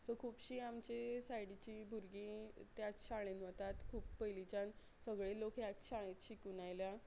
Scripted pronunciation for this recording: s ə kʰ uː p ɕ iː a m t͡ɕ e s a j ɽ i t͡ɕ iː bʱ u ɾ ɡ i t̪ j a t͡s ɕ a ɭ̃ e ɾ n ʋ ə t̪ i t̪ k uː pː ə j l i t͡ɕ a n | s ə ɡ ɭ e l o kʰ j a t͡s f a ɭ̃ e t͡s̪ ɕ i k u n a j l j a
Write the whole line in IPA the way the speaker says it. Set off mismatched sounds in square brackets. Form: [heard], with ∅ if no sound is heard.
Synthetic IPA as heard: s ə kʰ uː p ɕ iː a m t͡ɕ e s a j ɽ i t͡ɕ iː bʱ u ɾ ɡ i t̪ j a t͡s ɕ a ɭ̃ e [∅] n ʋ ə t̪ [a] t̪ [kʰ] uː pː ə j l i t͡ɕ a n | s ə ɡ ɭ e l o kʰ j a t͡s [ɕ] a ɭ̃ e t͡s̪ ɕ i k u n a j l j a